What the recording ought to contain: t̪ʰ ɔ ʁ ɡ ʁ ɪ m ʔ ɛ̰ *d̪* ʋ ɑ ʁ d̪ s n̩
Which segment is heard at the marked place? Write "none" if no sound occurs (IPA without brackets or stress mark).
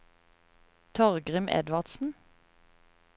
d̪